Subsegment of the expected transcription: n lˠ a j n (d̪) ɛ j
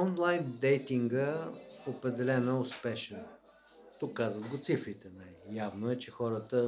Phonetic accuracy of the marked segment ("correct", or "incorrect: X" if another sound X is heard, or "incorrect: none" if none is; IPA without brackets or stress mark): correct